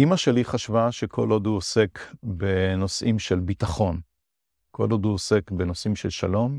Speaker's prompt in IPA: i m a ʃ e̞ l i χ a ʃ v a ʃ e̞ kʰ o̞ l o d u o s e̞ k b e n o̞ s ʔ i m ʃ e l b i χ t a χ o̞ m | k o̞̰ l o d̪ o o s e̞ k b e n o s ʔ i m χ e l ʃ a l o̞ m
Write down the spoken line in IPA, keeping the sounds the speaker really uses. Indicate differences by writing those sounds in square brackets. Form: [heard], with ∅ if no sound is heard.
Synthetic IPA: i m a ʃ e̞ l i χ a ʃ v a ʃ e̞ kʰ o̞ l o d u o s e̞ k b e n o̞ s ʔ i m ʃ e l b i [∅] t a χ o̞ [n] | k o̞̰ l o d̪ [u] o s e̞ k b e n o s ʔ i m [ʃ] e l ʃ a l o̞ m